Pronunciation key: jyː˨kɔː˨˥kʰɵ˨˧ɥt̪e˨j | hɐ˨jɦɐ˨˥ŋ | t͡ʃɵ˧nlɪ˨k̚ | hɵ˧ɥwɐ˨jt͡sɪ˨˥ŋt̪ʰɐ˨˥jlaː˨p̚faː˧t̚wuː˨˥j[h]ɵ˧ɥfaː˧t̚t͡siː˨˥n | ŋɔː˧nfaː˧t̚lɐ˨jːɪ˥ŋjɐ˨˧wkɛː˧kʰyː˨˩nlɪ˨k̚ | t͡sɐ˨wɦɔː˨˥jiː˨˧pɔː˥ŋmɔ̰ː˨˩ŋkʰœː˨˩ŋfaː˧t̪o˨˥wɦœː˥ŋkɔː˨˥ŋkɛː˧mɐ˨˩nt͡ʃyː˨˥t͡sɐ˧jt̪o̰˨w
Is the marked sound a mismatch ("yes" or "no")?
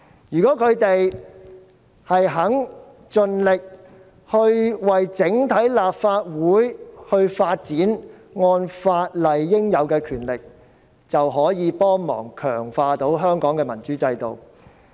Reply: no